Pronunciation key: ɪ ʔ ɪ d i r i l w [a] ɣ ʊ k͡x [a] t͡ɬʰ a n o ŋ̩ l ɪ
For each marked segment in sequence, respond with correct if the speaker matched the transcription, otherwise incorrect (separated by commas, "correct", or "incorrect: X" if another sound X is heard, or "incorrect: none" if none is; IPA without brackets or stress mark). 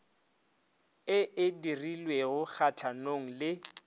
incorrect: e, correct